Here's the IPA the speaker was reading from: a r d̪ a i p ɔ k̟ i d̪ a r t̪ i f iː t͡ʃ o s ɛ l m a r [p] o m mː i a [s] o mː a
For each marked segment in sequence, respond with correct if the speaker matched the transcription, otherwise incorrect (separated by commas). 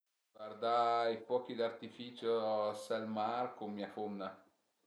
incorrect, incorrect